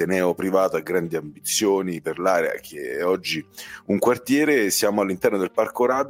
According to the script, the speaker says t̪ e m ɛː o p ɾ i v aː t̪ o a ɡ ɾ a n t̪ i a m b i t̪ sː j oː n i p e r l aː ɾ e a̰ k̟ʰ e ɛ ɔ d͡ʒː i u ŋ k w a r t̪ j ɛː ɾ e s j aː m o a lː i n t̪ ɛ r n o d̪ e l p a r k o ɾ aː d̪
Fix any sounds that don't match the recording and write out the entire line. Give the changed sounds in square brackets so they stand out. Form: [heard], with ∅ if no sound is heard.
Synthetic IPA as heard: t̪ e [n] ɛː o p ɾ i v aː t̪ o a ɡ ɾ a n [d̪] i a m b i t̪ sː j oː n i p e r l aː ɾ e a̰ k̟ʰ e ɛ ɔ d͡ʒː i u ŋ k w a r t̪ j ɛː ɾ e s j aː m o a lː i n t̪ ɛ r n o d̪ e l p a r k o ɾ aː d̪